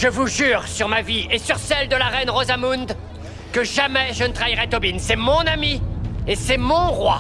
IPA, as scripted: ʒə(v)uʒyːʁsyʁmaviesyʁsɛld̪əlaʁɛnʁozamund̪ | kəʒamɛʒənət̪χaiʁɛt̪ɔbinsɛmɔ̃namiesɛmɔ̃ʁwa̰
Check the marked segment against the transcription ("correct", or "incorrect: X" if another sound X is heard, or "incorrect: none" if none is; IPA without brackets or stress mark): correct